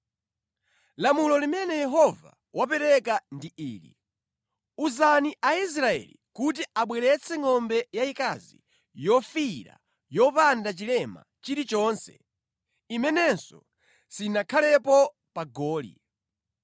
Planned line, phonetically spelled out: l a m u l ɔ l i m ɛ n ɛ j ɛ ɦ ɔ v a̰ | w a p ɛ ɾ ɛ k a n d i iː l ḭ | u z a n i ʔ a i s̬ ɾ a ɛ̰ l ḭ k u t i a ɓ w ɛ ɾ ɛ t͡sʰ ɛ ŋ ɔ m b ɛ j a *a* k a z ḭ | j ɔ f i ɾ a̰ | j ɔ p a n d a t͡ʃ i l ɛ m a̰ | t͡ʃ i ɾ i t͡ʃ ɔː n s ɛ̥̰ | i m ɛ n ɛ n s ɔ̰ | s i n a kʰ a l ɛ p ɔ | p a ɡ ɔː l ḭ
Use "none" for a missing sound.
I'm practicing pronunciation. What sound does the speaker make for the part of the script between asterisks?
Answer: i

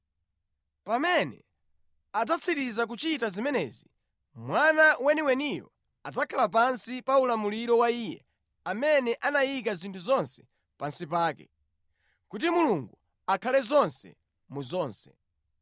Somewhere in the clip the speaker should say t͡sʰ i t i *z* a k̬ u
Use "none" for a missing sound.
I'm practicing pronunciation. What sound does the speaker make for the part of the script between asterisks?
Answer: z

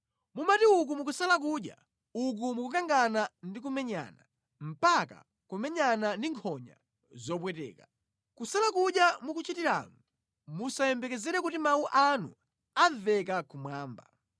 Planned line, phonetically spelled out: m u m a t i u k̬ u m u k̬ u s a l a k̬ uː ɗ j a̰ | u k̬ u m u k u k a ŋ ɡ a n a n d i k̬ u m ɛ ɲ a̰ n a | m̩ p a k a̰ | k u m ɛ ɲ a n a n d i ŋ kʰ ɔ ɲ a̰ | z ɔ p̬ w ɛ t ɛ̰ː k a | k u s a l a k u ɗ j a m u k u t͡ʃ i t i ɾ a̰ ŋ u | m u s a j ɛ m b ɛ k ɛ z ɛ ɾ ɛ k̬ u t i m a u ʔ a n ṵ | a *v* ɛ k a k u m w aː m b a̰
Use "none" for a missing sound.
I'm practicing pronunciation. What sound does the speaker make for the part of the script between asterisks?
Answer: v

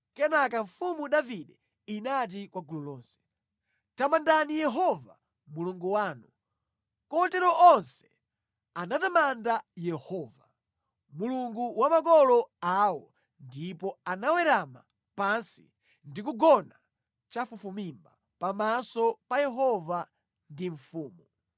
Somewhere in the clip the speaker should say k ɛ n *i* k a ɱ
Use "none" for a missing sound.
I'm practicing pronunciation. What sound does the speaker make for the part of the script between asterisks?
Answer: a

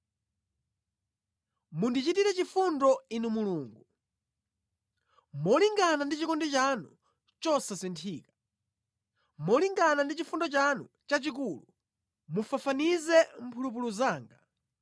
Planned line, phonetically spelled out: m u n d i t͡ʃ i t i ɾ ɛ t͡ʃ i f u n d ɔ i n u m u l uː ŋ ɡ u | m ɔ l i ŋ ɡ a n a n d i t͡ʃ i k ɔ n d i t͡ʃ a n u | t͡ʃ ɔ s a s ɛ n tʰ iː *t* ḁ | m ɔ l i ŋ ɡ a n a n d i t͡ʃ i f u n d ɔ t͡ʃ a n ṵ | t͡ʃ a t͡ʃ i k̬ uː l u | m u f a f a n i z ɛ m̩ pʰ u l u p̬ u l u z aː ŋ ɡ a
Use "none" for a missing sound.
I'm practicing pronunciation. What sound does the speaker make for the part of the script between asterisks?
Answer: k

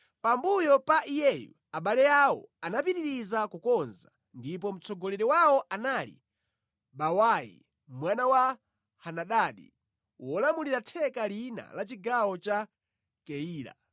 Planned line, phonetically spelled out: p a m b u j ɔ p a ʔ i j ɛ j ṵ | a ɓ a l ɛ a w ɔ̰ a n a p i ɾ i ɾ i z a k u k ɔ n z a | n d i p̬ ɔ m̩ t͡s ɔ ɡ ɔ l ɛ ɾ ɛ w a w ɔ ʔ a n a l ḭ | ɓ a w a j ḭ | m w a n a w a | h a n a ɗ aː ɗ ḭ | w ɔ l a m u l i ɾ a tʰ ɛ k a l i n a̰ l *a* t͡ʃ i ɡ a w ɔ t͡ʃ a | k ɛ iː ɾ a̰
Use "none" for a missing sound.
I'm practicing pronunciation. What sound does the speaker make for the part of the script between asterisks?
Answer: a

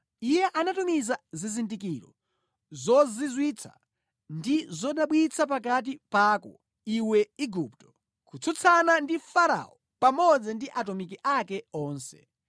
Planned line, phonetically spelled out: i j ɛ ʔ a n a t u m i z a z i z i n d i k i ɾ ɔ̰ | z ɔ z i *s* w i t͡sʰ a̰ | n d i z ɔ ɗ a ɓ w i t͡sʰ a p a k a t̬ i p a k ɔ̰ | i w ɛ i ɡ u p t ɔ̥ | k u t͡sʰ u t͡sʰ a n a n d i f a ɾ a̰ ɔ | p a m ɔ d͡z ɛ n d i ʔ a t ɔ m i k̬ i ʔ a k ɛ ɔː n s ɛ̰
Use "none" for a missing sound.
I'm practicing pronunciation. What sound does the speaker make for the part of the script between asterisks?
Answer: z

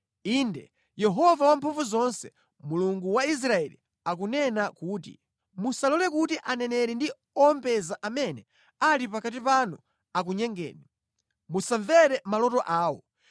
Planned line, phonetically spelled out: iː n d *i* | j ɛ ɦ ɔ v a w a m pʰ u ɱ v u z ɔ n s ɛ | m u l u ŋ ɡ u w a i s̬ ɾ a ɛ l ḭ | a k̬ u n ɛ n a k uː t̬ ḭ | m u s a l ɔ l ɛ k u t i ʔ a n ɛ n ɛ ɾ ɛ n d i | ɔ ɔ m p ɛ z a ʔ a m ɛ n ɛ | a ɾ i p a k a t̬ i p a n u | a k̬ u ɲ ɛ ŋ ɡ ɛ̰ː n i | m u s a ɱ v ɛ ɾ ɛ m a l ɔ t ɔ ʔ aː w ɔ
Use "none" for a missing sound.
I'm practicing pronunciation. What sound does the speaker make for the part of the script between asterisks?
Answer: ɛ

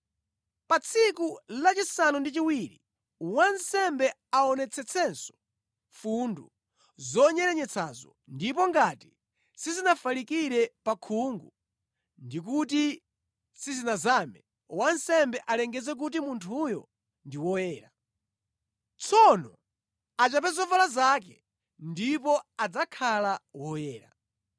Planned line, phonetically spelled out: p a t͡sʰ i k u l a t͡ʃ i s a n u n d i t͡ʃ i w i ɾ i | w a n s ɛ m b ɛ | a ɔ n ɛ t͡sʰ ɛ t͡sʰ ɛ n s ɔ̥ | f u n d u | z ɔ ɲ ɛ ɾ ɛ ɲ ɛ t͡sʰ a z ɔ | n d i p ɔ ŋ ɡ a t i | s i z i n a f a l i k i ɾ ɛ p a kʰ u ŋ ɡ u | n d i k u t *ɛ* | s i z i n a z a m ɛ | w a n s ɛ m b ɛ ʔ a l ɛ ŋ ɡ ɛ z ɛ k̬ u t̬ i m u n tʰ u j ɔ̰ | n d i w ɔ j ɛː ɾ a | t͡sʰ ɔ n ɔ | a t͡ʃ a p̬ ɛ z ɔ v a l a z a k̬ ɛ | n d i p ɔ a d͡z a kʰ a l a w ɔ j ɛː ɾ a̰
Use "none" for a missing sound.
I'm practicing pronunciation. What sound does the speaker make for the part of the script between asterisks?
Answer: i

